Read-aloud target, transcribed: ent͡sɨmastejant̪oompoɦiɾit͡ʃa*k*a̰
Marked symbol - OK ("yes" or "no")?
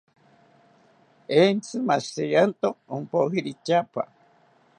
no